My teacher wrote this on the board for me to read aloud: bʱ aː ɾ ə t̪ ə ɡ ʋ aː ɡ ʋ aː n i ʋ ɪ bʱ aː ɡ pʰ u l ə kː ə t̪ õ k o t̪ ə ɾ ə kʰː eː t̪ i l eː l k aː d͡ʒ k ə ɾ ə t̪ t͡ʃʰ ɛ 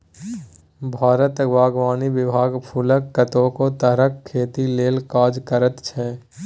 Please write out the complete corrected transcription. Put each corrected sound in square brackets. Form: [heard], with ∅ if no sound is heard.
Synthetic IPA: bʱ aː ɾ ə t̪ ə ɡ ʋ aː ɡ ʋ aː n i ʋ ɪ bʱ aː ɡ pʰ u l ə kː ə t̪ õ k o t̪ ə ɾ ə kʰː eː t̪ i l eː l k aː d͡ʒ k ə ɾ ə t̪ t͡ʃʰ ɛ